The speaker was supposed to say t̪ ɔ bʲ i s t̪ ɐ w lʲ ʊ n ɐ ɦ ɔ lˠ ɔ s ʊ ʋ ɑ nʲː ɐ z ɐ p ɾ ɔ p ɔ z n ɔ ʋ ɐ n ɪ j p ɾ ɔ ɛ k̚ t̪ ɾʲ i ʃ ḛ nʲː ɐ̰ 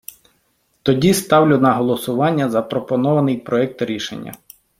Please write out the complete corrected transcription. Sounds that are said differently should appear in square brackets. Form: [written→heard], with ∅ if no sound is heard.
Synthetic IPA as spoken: t̪ ɔ [bʲ→dʲ] i s t̪ [ɐ→ɑ] w lʲ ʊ n ɐ ɦ ɔ lˠ ɔ s ʊ ʋ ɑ nʲː ɐ z ɐ p ɾ ɔ p ɔ [z→∅] n ɔ ʋ ɐ n ɪ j p ɾ ɔ ɛ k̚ t̪ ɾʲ i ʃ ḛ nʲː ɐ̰